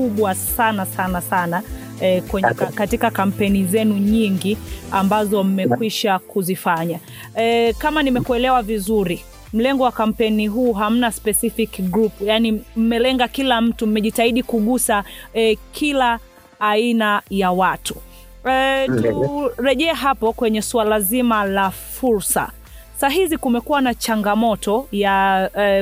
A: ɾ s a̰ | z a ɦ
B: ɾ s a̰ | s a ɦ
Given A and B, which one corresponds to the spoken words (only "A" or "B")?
B